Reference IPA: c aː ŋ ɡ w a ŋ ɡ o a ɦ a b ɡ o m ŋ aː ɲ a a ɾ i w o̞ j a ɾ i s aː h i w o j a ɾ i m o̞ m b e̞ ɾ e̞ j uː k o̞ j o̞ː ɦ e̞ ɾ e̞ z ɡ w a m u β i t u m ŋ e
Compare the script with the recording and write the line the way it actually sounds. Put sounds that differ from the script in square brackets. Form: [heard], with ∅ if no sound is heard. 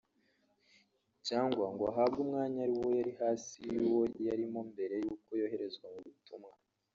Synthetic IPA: c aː ŋ ɡ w a ŋ ɡ o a ɦ a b ɡ [u] m ŋ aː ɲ a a ɾ i w o̞ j a ɾ i [h] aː [s] i w o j a ɾ i m o̞ m b e̞ ɾ e̞ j uː k o̞ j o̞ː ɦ e̞ ɾ e̞ z ɡ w a m u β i t u m ŋ [a]